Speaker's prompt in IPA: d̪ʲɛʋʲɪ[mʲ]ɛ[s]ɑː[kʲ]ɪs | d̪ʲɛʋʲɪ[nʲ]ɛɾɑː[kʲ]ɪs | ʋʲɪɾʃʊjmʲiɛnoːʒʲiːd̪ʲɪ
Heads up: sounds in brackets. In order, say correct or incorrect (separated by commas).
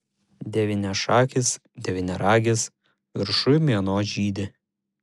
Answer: incorrect, incorrect, correct, correct, incorrect